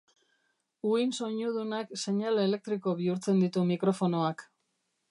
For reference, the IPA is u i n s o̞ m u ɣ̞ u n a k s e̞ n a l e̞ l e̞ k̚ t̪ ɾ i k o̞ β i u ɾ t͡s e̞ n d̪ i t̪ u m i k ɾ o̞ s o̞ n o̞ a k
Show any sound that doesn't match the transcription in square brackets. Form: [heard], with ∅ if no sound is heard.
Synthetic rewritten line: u i n s o̞ [ɲ] u [ð̞] u n a k s e̞ [ɲ] a l e̞ l e̞ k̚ t̪ ɾ i k o̞ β i u ɾ t͡s e̞ n d̪ i t̪ u m i k ɾ o̞ [f] o̞ n o̞ a k